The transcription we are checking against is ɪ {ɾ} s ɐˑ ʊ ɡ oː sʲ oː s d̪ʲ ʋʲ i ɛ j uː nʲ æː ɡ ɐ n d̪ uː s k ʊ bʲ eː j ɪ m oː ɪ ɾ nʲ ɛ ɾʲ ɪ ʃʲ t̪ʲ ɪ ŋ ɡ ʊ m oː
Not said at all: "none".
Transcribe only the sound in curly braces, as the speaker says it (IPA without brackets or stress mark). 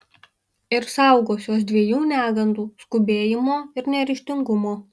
ɾ